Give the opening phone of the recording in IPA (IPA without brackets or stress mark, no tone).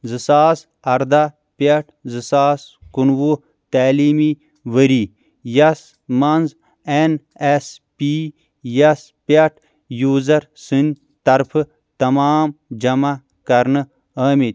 z